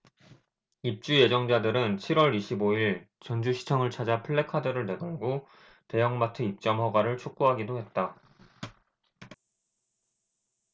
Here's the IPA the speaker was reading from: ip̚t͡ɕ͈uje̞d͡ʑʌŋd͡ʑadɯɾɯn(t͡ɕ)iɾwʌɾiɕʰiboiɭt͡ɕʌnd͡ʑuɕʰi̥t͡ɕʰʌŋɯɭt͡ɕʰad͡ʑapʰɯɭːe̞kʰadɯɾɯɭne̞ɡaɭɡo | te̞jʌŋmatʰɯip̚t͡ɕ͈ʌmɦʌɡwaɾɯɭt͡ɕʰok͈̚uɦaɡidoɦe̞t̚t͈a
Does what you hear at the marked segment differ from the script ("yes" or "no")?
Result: yes